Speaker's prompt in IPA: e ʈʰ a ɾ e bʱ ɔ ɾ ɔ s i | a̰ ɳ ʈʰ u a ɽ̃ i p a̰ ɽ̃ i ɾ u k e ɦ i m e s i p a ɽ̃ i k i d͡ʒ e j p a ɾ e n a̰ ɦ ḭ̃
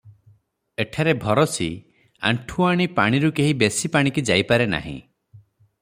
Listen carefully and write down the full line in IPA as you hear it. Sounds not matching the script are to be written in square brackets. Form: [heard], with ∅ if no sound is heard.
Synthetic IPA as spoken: e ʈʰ a ɾ e bʱ ɔ ɾ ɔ s i | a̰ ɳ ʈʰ u a ɽ̃ i p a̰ ɽ̃ i ɾ u k e ɦ i [b] e s i p a ɽ̃ i k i d͡ʒ [a] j p a ɾ e n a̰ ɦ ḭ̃